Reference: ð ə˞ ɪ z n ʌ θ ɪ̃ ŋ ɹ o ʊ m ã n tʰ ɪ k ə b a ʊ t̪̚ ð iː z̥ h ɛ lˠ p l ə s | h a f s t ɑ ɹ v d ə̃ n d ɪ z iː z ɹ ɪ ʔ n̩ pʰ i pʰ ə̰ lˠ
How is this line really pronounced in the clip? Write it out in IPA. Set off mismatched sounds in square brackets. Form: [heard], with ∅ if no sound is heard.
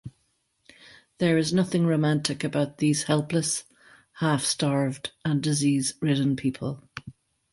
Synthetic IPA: ð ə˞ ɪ z n ʌ θ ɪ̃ ŋ ɹ o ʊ m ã n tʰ ɪ k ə b a ʊ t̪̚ ð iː z̥ h ɛ lˠ p l ə s | h a f s t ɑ ɹ v d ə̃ n d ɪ z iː z ɹ ɪ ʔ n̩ pʰ i pʰ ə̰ lˠ